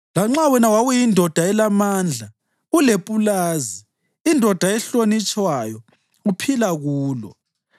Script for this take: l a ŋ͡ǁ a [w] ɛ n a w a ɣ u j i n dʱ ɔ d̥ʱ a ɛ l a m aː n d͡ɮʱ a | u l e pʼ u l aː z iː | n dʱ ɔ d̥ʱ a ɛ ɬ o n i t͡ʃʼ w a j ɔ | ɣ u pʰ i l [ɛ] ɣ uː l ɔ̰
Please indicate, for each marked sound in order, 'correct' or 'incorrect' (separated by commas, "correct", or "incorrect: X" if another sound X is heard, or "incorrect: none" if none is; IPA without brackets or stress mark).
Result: correct, incorrect: a